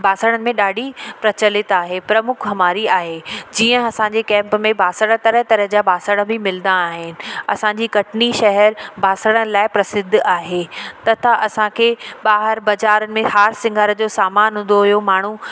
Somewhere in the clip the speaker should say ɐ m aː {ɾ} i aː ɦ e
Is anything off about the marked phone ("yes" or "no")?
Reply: no